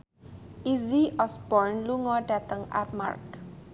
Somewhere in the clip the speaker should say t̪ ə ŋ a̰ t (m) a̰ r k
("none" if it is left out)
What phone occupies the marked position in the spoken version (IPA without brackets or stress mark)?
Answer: m